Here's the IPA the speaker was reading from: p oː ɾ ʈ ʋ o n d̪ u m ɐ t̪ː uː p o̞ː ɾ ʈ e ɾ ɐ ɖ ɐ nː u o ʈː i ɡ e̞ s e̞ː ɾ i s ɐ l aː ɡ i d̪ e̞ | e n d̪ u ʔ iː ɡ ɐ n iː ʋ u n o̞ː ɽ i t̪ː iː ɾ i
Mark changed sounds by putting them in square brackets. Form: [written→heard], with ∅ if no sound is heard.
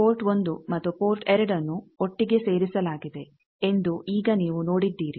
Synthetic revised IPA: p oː ɾ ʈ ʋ o n d̪ u m ɐ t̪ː [uː→u] p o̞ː ɾ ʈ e ɾ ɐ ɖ ɐ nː u o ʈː i ɡ e̞ s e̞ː ɾ i s ɐ l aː ɡ i d̪ e̞ | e n d̪ u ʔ iː ɡ ɐ n iː ʋ u n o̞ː ɽ i [t̪ː→d̪ː] iː ɾ i